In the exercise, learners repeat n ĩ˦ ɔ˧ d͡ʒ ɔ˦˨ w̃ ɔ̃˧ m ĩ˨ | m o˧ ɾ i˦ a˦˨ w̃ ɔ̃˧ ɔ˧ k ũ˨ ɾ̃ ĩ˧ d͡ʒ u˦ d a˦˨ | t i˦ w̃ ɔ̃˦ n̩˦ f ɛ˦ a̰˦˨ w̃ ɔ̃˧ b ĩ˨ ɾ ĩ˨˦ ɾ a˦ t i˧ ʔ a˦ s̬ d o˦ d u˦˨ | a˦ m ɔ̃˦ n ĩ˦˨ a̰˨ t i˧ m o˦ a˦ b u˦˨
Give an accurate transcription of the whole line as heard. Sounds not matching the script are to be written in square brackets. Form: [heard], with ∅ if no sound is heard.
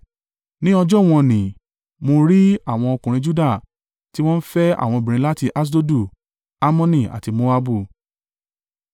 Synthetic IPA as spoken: n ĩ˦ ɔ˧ d͡ʒ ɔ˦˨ w̃ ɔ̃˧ [n] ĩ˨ | m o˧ ɾ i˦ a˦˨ w̃ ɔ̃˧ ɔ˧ k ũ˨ ɾ̃ ĩ˧ d͡ʒ u˦ d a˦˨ | t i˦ w̃ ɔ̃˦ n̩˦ f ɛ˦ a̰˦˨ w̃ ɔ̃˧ b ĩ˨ ɾ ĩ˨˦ [l] a˦ t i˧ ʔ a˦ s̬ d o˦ d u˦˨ | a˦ m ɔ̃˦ n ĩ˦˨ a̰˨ t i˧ m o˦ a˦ b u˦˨